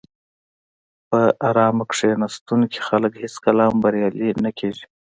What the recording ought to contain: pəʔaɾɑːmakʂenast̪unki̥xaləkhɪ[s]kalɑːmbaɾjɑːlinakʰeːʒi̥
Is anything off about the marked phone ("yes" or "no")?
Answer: no